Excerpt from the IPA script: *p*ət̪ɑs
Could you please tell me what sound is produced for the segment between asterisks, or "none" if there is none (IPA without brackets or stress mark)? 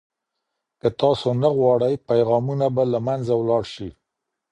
k